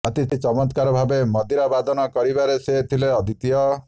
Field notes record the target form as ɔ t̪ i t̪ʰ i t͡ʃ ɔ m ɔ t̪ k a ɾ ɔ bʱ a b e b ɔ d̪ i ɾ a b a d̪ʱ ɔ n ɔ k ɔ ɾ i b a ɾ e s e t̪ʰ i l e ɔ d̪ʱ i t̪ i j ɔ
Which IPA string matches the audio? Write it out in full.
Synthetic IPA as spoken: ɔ t̪ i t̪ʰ i t͡ʃ ɔ m ɔ t̪ k a ɾ ɔ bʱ a b e m ɔ d̪ i ɾ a b a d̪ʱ ɔ n ɔ k ɔ ɾ i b a ɾ e s e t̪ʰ i l e ɔ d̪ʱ i t̪ i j ɔ